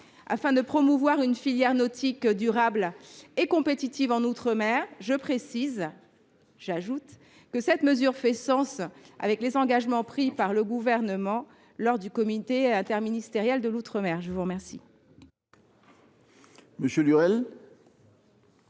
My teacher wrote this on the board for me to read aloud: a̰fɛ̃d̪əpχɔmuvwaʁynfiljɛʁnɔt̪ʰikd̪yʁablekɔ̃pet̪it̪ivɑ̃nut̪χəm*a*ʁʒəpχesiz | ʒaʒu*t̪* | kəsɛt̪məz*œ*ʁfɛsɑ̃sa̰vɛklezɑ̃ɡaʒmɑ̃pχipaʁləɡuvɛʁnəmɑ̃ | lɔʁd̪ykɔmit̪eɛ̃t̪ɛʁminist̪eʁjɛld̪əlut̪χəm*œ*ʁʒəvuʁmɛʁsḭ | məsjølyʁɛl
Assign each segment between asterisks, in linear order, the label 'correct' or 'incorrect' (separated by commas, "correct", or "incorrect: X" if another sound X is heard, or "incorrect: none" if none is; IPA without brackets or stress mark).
incorrect: ɛ, correct, incorrect: y, incorrect: ɛ